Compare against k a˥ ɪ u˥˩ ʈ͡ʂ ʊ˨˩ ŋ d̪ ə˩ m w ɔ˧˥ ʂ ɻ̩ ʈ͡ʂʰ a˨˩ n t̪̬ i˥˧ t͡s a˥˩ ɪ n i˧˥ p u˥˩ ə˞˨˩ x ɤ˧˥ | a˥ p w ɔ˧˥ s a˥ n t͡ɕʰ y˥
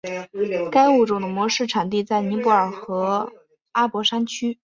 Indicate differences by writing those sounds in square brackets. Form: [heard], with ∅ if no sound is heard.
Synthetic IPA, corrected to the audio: k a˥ ɪ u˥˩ ʈ͡ʂ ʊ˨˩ ŋ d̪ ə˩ m w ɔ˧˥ ʂ ɻ̩ ʈ͡ʂʰ a˨˩ n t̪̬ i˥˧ t͡s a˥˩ ɪ n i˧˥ p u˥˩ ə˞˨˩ x ɤ˧˥ | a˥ p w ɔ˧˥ [ʂ] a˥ n t͡ɕʰ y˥